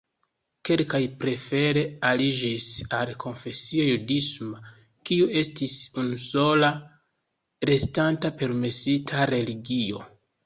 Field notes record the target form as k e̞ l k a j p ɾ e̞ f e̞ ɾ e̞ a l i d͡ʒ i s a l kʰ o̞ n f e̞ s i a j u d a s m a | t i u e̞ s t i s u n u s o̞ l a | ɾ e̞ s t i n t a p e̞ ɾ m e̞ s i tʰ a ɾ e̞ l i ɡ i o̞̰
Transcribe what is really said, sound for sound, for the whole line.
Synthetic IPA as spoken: k e̞ l k a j p ɾ e̞ f e̞ ɾ e̞ a l i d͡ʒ i s a l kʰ o̞ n f e̞ s i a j u d i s m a | k i u e̞ s t i s u n u s o̞ l a | ɾ e̞ s t a n t a p e̞ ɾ m e̞ s i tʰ a ɾ e̞ l i ɡ i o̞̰